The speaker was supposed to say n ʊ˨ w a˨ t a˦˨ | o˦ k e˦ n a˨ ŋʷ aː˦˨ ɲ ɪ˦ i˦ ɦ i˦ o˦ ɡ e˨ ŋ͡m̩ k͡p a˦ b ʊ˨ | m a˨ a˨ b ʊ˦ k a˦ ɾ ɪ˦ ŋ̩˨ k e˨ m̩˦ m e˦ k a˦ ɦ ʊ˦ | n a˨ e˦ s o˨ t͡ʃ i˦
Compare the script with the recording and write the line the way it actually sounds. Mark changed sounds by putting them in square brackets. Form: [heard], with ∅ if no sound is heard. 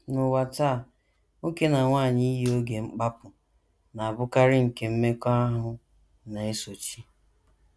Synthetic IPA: n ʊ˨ w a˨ t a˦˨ | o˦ k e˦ n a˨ ŋʷ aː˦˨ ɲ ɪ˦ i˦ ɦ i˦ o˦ ɡ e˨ ŋ͡m̩ k͡p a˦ [p] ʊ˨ | [n] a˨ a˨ b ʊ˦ k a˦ ɾ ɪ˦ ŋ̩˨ k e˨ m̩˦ m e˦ k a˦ ɦ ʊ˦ | n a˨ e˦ s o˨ t͡ʃ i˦